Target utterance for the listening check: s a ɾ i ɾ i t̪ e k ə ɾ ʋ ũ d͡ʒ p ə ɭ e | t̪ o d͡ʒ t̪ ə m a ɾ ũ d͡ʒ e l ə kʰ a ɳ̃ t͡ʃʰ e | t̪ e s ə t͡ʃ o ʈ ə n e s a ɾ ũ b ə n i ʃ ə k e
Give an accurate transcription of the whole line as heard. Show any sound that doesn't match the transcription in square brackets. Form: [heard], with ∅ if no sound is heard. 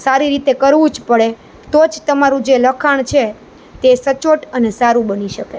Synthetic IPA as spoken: s a ɾ i ɾ i t̪ e k ə ɾ ʋ ũ d͡ʒ p ə ɭ e | t̪ o d͡ʒ t̪ ə m a ɾ ũ d͡ʒ e l ə kʰ a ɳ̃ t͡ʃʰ e | t̪ e s ə t͡ʃ o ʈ ə n e s a ɾ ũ b ə n i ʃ ə k e